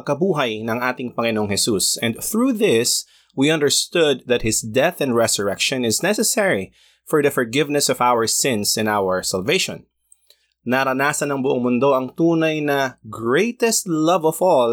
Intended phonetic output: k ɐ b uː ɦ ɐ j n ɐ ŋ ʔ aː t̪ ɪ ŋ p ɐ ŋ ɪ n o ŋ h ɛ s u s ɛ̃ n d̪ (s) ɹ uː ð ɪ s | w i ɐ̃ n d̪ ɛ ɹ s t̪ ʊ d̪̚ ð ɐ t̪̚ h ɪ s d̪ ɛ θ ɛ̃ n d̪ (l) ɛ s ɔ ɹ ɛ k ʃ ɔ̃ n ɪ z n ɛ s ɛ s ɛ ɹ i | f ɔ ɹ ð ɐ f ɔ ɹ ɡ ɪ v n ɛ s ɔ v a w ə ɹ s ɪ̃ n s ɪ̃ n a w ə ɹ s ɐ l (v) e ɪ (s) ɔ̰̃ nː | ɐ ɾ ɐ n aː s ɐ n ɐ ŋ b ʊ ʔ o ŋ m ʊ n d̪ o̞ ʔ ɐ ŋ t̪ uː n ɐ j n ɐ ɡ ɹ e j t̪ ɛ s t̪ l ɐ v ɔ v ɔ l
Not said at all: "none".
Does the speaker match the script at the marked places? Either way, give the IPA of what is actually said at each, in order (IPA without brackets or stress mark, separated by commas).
θ, ɹ, v, ʃ